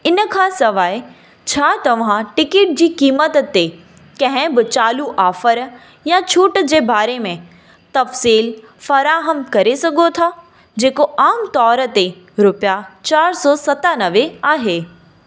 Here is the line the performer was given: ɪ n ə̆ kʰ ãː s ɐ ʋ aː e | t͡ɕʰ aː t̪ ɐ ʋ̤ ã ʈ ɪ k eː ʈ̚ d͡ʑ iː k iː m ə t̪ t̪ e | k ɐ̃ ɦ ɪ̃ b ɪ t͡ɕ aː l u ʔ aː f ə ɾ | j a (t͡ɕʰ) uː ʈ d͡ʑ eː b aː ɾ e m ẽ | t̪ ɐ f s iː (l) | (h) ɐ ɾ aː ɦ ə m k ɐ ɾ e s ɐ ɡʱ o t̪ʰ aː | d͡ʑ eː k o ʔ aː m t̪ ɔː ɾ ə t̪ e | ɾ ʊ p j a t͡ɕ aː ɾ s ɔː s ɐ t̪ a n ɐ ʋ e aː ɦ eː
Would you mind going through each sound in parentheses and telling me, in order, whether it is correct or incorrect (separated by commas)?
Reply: correct, correct, incorrect